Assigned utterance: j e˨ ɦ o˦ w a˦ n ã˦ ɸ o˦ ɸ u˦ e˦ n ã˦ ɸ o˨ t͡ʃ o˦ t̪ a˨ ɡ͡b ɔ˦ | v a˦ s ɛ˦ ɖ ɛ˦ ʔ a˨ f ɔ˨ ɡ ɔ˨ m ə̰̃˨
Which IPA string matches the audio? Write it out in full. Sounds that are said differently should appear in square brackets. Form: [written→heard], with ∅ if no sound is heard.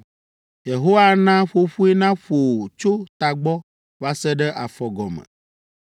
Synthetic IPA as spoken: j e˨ ɦ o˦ w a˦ n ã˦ ɸ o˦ ɸ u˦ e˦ n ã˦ ɸ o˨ t͡ʃ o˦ t̪ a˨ ɡ͡b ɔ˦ | v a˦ s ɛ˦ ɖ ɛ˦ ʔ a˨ f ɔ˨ ɡ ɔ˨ m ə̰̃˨

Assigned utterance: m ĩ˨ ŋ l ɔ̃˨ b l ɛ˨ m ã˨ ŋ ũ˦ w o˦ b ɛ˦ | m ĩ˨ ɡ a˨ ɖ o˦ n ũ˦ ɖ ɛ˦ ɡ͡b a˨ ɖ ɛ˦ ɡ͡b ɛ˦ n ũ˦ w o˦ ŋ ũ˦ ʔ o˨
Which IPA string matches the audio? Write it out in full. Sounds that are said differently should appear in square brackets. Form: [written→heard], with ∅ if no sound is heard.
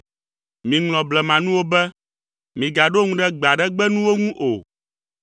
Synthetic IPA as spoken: m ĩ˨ ŋ l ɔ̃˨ b l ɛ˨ m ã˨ [ŋ→n] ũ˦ w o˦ b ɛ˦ | m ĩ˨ ɡ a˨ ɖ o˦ [n→ŋ] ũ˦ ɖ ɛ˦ ɡ͡b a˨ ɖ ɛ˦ ɡ͡b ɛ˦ n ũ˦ w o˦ ŋ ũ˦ ʔ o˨

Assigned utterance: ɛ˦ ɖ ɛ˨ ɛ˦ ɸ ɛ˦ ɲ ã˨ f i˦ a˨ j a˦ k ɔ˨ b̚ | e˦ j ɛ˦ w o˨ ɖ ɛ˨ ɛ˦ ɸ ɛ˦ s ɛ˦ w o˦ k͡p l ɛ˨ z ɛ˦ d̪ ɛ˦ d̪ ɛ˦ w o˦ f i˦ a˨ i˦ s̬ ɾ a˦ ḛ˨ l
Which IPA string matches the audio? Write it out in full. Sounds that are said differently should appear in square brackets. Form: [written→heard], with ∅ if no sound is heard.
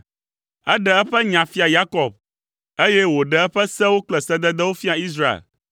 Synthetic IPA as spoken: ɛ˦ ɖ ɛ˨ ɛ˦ ɸ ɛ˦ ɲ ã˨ f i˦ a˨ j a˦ k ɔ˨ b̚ | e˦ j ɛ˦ w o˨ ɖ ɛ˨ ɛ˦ ɸ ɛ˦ s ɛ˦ w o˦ k͡p l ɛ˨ [z→s] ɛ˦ d̪ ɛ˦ d̪ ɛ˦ w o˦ f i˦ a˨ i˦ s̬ ɾ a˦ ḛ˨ l

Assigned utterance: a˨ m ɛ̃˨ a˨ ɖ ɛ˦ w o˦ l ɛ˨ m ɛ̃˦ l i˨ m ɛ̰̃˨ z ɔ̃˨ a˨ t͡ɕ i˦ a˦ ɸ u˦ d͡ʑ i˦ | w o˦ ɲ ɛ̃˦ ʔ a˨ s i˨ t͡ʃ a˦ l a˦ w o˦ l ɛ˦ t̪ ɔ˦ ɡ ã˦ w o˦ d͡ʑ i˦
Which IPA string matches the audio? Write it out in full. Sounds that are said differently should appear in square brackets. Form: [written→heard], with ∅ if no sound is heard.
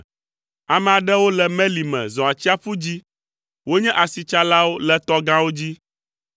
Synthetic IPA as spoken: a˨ m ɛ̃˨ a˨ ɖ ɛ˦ w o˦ l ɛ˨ m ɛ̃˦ l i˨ m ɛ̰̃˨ z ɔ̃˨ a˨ t͡ɕ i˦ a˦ ɸ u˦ d͡ʑ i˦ | w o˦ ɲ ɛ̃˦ ʔ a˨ s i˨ t͡ʃ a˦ l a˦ w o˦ l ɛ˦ t̪ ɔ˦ ɡ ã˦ w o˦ d͡ʑ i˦

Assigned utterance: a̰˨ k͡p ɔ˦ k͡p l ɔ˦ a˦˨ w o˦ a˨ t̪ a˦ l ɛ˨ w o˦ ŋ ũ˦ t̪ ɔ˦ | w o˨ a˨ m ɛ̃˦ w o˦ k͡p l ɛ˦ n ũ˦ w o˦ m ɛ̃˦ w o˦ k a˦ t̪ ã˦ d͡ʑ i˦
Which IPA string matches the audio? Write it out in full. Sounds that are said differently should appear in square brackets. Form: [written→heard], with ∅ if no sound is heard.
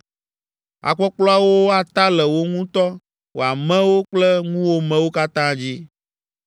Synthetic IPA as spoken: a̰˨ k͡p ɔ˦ k͡p l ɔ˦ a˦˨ w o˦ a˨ t̪ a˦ l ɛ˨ w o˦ ŋ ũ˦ t̪ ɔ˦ | w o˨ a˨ m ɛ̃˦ w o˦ k͡p l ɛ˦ [n→ŋ] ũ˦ w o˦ m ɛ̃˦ w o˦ k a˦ t̪ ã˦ d͡ʑ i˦

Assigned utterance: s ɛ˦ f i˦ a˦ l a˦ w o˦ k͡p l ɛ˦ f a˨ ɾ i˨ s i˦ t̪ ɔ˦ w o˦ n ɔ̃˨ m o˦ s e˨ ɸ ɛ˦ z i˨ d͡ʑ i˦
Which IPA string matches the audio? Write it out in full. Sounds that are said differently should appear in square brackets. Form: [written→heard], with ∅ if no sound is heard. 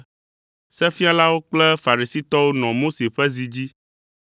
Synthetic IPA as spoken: s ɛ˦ f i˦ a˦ l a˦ w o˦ k͡p l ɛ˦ f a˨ ɾ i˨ s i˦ t̪ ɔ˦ w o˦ n ɔ̃˨ m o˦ s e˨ ɸ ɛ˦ z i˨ d͡ʑ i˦

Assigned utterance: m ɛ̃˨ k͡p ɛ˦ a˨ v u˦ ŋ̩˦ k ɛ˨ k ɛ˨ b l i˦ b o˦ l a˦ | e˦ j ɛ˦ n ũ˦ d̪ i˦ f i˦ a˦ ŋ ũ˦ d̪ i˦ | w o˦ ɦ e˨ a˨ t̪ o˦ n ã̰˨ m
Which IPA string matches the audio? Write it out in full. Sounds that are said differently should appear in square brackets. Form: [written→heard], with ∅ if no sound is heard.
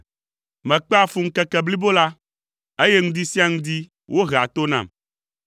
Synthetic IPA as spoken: m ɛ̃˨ k͡p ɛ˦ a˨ [v→f] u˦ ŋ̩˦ k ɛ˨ k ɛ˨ b l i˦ b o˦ l a˦ | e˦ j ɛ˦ [n→ŋ] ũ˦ d̪ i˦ [f→s] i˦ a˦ ŋ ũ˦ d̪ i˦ | w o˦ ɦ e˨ a˨ t̪ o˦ n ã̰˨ m

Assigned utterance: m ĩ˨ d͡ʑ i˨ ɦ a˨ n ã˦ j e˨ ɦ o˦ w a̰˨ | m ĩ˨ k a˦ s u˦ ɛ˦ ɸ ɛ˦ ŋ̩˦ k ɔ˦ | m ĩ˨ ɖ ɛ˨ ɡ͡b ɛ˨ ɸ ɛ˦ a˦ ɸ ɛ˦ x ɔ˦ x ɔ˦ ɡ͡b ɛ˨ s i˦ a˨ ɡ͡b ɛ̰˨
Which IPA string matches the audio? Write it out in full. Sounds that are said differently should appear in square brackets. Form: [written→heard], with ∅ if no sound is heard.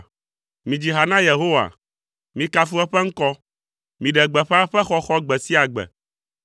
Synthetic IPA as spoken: m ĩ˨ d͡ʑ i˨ ɦ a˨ n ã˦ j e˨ ɦ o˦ w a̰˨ | m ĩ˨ k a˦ [s→f] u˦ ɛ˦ ɸ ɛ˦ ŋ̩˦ k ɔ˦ | m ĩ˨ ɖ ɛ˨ ɡ͡b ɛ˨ ɸ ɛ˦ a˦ ɸ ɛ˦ x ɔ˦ x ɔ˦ ɡ͡b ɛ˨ s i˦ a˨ ɡ͡b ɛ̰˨

